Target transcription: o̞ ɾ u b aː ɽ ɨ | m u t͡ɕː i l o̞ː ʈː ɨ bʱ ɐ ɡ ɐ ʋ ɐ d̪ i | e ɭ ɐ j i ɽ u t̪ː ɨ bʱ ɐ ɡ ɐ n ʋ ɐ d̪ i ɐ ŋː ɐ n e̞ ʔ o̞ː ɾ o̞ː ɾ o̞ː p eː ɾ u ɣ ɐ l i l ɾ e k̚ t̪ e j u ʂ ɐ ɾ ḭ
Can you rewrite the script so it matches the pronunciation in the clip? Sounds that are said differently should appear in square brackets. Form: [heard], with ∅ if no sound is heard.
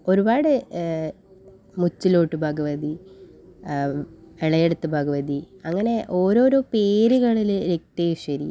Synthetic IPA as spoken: o̞ ɾ u b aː ɽ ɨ | m u t͡ɕː i l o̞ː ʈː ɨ bʱ ɐ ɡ ɐ ʋ ɐ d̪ i | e ɭ ɐ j [e] ɽ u t̪ː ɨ bʱ ɐ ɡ ɐ [∅] ʋ ɐ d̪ i ɐ ŋː ɐ n e̞ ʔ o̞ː ɾ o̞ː ɾ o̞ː p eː ɾ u ɣ ɐ [ɭ] i l ɾ e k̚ t̪ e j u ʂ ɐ ɾ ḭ